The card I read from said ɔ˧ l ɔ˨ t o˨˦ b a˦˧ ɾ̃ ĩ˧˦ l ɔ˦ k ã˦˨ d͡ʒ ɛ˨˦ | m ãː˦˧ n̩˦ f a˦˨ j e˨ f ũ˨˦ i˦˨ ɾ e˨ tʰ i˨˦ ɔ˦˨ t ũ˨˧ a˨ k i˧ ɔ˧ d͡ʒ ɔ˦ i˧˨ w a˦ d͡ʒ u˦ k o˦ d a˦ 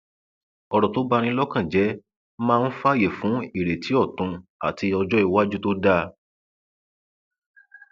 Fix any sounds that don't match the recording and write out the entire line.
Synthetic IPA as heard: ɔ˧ ɾ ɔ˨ t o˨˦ b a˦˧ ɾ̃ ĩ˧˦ l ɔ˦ k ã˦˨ d͡ʒ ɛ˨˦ | m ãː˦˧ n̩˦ f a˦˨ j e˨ f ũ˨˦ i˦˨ ɾ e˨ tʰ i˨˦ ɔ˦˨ t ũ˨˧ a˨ t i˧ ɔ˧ d͡ʒ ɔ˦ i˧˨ w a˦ d͡ʒ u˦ t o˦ d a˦